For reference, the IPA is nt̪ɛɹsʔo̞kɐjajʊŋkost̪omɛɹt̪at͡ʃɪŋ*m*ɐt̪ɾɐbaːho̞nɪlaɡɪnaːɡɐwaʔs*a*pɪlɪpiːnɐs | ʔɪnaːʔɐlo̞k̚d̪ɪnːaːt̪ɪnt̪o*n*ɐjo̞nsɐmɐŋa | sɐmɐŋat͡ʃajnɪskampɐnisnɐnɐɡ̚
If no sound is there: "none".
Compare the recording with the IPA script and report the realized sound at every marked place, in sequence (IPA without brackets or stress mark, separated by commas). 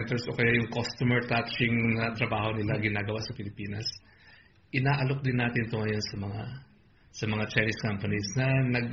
n, ɐ, ŋ